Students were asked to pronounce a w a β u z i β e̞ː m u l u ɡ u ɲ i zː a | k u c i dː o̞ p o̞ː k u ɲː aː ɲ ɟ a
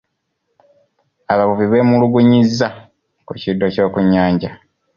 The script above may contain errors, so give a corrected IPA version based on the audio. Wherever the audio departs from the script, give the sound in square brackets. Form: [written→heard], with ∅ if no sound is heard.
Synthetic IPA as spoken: a [w→β] a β u [z→v] i β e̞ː m u l u ɡ u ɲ i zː a | k u c i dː o̞ [p→c] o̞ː k u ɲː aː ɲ ɟ a